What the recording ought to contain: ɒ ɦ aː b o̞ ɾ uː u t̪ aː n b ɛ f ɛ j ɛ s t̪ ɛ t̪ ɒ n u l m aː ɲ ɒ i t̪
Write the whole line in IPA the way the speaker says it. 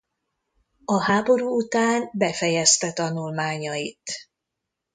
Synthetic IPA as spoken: ɒ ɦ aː b o̞ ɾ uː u t̪ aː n b ɛ f ɛ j ɛ s t̪ ɛ t̪ ɒ n u l m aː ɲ ɒ i t̪